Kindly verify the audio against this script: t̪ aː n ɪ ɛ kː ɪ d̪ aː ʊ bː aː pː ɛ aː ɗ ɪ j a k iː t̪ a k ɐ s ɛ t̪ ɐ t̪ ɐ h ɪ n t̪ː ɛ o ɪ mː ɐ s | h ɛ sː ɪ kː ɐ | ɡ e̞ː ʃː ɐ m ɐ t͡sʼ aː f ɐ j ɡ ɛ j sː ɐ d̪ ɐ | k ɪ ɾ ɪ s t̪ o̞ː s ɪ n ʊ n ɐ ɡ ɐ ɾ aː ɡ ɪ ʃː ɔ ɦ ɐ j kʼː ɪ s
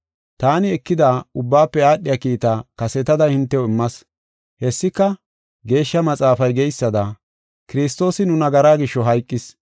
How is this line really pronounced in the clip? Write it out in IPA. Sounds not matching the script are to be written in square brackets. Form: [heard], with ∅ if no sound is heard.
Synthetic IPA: t̪ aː n ɪ ɛ kː ɪ d̪ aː ʊ bː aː pː ɛ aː ɗ ɪ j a k iː t̪ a k ɐ s ɛ t̪ ɐ [d̪] ɐ h ɪ n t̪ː ɛ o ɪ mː ɐ s | h ɛ sː ɪ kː ɐ | ɡ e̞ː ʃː ɐ m ɐ t͡sʼ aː f ɐ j ɡ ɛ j sː ɐ d̪ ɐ | k ɪ ɾ ɪ s t̪ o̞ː s ɪ n ʊ n ɐ ɡ ɐ ɾ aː ɡ ɪ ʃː ɔ ɦ ɐ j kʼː ɪ s